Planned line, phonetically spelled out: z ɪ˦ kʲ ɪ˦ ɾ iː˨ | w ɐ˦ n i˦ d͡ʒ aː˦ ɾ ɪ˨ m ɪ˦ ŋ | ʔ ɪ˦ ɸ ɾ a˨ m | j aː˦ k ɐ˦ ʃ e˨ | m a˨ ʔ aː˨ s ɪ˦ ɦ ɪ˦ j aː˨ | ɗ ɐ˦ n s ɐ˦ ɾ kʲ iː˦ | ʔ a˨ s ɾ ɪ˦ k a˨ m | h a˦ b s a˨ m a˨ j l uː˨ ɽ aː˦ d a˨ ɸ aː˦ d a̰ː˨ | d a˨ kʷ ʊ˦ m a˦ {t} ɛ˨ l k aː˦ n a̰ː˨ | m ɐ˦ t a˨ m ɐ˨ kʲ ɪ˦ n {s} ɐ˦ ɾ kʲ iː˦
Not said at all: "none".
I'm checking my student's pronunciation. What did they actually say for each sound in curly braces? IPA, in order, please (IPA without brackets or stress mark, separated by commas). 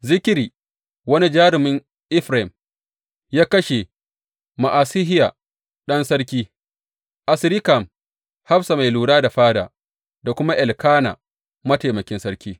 ʔ, s